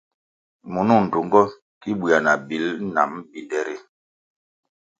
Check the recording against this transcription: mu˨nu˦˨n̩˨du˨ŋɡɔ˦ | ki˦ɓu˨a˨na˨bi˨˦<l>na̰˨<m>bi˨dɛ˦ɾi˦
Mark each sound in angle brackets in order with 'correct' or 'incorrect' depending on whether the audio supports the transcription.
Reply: correct, correct

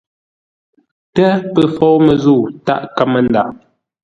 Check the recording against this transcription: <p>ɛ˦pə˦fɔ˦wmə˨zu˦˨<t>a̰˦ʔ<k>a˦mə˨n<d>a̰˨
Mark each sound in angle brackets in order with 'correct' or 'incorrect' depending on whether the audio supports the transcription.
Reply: incorrect: t, correct, correct, correct

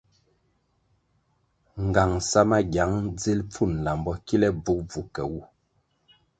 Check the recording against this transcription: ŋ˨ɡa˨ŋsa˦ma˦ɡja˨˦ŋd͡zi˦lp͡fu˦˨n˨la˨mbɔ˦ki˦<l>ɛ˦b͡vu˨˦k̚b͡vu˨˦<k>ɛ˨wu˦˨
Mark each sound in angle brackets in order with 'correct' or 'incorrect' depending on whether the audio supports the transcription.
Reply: correct, correct

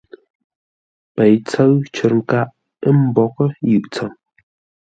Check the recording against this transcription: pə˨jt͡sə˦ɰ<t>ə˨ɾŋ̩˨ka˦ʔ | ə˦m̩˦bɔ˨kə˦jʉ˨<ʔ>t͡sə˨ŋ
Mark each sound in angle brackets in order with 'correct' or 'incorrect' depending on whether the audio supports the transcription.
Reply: incorrect: t͡ʃ, correct

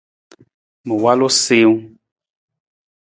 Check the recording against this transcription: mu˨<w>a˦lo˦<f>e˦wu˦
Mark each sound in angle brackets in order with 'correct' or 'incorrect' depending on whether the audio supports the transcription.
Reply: correct, incorrect: s

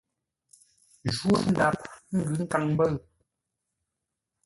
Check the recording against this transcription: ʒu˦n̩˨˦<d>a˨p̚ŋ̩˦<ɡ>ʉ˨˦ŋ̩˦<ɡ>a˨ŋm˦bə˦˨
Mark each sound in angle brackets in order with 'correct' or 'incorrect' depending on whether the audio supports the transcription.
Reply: correct, correct, incorrect: k

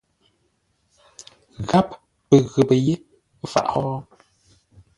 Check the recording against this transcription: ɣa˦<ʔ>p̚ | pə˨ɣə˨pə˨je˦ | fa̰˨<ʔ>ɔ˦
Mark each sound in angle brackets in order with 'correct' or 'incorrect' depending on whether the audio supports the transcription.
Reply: incorrect: none, correct

